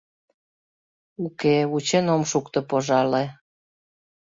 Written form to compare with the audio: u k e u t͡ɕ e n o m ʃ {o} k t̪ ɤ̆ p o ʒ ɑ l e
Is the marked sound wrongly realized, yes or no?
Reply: yes